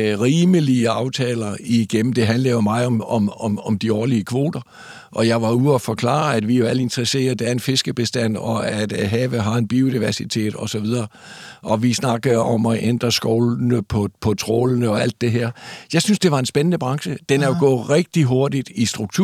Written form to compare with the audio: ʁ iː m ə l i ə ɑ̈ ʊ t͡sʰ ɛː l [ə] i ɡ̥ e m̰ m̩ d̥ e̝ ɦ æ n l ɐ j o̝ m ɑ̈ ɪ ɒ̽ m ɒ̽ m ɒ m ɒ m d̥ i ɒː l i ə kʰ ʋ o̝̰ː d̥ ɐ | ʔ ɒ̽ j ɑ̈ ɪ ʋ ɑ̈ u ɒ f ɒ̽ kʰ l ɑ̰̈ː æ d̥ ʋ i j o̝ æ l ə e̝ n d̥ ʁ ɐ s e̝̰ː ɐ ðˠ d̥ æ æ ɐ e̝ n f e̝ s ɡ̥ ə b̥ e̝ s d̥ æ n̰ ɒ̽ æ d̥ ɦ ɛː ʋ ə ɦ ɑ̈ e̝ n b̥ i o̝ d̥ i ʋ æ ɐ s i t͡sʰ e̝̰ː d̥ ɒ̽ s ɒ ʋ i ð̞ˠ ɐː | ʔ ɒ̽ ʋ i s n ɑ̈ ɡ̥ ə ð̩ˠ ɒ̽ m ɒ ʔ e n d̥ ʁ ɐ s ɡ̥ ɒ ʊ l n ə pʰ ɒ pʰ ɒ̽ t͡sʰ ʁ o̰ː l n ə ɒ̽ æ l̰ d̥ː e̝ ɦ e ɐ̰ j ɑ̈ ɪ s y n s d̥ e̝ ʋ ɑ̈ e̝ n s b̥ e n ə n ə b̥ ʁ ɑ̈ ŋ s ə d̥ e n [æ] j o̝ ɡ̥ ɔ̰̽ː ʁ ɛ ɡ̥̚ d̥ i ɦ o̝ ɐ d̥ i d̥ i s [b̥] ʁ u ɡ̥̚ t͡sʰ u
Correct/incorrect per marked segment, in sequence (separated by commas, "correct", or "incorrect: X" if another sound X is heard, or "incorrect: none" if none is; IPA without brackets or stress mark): incorrect: ɐ, correct, incorrect: d̥